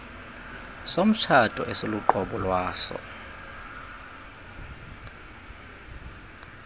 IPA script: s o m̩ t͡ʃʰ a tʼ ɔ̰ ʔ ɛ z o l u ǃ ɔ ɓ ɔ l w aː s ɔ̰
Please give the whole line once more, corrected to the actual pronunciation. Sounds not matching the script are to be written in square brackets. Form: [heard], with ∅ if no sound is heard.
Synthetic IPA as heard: s o m̩ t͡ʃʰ a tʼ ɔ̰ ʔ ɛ [s] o l u ǃ ɔ ɓ ɔ l w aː s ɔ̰